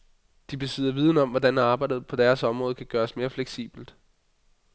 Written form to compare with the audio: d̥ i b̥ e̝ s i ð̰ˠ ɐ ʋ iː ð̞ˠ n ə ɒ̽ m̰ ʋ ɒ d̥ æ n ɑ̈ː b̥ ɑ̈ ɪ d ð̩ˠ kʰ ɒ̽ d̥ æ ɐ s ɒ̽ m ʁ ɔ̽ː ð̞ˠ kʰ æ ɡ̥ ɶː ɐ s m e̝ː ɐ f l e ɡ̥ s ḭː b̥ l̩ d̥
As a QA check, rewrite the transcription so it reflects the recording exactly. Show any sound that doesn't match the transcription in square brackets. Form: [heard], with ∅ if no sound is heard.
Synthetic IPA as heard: d̥ i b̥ e̝ s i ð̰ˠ ɐ ʋ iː ð̞ˠ n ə ɒ̽ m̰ ʋ ɒ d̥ æ n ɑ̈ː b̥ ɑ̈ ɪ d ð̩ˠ [pʰ] ɒ̽ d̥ æ ɐ s ɒ̽ m ʁ ɔ̽ː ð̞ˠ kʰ æ ɡ̥ ɶː ɐ s m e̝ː ɐ f l e ɡ̥ s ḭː b̥ l̩ d̥